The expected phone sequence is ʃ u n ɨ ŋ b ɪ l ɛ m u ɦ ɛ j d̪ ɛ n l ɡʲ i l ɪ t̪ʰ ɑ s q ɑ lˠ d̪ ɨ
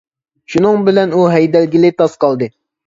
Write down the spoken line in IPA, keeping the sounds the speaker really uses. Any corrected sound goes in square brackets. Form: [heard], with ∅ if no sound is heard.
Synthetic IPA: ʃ u n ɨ ŋ b ɪ l ɛ [n] u ɦ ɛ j d̪ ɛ [∅] l ɡʲ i l ɪ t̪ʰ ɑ s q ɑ lˠ d̪ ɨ